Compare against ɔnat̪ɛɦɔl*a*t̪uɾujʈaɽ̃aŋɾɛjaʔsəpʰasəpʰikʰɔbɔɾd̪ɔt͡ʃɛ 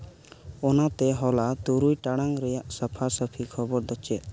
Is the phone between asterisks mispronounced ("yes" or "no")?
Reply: no